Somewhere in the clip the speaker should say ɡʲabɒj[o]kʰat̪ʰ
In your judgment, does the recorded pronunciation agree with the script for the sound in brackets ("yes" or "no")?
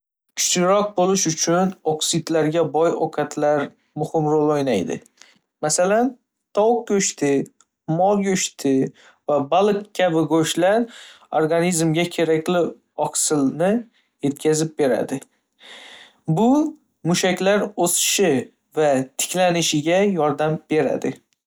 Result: yes